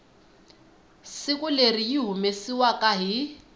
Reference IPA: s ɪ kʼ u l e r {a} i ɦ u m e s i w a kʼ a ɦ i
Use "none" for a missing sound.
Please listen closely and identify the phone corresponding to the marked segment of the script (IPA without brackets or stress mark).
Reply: i